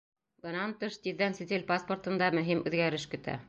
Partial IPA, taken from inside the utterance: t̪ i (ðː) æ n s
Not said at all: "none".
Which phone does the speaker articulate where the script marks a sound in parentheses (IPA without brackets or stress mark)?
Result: ðː